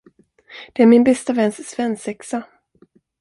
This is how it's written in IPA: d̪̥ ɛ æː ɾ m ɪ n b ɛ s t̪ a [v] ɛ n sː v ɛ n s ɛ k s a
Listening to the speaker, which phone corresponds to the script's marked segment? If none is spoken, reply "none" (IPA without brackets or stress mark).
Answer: v